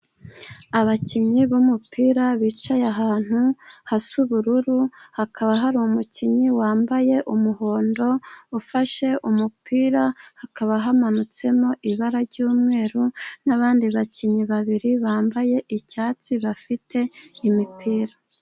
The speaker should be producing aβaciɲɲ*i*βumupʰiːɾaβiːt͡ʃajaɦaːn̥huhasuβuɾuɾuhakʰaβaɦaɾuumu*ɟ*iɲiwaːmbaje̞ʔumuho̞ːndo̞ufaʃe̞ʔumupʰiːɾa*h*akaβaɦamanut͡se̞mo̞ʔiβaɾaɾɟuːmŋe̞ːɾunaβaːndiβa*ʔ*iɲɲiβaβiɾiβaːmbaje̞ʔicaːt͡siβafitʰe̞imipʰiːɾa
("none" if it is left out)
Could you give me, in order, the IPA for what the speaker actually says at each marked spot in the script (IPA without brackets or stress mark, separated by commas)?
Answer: i, c, h, c